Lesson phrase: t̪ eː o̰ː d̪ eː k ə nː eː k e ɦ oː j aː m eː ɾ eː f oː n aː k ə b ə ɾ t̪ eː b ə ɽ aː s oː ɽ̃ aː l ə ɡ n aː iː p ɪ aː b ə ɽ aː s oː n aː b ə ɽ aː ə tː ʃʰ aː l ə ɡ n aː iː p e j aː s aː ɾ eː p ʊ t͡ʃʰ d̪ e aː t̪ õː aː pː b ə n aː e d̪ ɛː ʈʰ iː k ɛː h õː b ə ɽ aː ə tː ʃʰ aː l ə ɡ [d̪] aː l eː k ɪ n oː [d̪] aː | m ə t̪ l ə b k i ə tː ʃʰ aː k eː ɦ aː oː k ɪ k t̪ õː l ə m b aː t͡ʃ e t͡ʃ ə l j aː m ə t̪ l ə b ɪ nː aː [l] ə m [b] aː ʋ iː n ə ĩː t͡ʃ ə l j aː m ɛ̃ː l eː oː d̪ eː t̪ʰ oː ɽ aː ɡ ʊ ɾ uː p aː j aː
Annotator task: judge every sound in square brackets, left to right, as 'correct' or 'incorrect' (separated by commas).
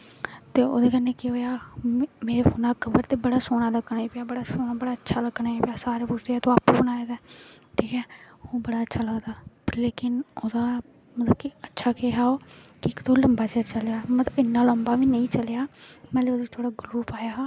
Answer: correct, correct, correct, correct